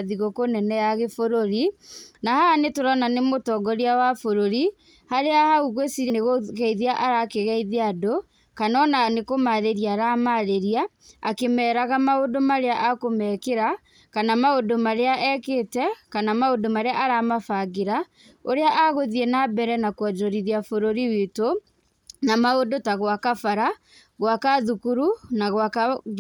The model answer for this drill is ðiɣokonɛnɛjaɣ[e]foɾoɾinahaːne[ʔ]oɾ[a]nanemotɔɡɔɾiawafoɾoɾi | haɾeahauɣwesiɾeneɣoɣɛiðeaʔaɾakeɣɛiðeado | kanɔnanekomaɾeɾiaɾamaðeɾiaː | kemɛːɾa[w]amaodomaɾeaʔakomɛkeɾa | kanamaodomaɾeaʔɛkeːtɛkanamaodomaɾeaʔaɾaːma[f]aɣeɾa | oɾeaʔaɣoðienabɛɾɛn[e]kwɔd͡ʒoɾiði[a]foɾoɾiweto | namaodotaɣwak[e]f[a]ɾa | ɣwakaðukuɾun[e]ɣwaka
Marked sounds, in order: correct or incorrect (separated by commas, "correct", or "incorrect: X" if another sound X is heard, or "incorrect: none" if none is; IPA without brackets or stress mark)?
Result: correct, incorrect: t, correct, incorrect: ɣ, correct, incorrect: a, correct, incorrect: a, correct, incorrect: a